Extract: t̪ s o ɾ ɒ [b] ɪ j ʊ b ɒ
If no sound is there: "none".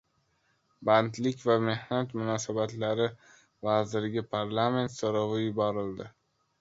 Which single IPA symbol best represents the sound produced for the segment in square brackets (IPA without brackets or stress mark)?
v